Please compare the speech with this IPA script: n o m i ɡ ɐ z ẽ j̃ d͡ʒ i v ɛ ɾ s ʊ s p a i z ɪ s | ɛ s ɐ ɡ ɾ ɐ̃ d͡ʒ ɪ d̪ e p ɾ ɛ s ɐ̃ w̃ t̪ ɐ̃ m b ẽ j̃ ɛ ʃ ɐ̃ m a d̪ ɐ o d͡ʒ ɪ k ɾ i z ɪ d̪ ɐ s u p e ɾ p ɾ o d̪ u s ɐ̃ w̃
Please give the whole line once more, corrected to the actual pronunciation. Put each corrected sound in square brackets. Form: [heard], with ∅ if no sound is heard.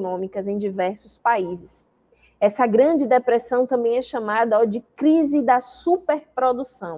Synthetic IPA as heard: n [õ] m i [k] ɐ z ẽ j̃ d͡ʒ i v ɛ ɾ s ʊ s p a i z ɪ s | ɛ s ɐ ɡ ɾ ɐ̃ d͡ʒ ɪ d̪ e p ɾ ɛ s ɐ̃ w̃ t̪ ɐ̃ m b ẽ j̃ ɛ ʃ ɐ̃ m a d̪ ɐ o d͡ʒ ɪ k ɾ i z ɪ d̪ ɐ s u p e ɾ p ɾ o d̪ u s ɐ̃ w̃